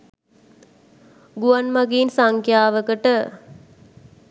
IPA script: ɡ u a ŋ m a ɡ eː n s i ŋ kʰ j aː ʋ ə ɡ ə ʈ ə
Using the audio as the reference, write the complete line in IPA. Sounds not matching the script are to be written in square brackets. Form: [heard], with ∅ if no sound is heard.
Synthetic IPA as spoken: ɡ u a [n] m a ɡ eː n s [a] ŋ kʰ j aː ʋ ə [k] ə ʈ ə